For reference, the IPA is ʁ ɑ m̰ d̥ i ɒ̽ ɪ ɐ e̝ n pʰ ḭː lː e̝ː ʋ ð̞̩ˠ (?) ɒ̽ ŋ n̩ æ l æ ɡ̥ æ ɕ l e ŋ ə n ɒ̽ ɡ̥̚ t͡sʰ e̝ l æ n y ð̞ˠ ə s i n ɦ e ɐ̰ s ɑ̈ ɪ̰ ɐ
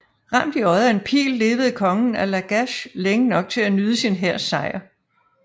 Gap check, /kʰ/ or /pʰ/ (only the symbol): kʰ